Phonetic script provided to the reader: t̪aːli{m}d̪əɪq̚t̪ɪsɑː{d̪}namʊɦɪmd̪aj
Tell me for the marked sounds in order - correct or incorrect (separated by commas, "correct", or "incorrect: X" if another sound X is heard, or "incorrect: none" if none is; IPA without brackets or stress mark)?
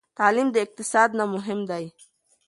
correct, correct